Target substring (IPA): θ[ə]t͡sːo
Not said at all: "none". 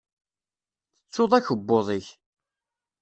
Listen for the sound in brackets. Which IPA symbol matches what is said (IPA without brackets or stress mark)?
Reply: ə